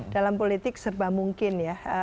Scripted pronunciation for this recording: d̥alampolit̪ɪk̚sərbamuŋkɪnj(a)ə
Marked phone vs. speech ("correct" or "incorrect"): correct